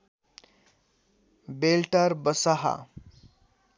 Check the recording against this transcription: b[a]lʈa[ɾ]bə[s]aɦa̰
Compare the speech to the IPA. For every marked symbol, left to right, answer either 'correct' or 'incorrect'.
incorrect: e, correct, correct

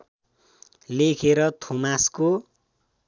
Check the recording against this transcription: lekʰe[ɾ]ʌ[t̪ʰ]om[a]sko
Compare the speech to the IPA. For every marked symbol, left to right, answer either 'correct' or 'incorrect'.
correct, correct, correct

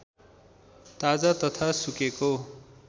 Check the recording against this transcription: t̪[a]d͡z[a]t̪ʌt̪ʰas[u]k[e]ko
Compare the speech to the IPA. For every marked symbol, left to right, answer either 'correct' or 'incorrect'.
correct, correct, correct, correct

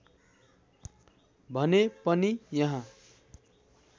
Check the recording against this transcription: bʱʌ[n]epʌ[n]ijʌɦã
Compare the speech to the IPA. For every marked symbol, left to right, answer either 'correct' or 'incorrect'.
correct, correct

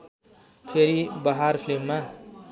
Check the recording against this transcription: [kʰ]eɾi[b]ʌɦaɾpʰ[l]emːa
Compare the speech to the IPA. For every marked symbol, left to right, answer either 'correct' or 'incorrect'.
incorrect: pʰ, correct, correct

